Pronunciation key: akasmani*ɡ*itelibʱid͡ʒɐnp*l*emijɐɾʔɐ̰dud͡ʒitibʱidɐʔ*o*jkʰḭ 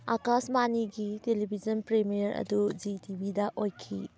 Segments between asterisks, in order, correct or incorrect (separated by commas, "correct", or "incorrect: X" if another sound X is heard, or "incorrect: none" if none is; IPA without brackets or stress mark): correct, incorrect: ɾ, correct